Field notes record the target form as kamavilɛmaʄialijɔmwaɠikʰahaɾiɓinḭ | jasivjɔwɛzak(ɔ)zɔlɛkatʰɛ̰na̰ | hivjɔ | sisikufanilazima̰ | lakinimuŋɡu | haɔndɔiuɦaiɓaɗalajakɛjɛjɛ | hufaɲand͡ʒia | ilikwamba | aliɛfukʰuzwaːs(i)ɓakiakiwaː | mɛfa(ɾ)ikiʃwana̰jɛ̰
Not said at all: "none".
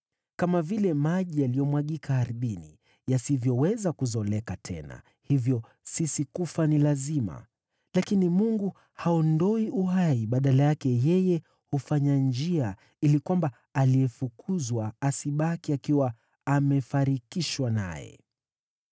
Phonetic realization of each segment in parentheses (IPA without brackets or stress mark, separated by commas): u, i, ɾ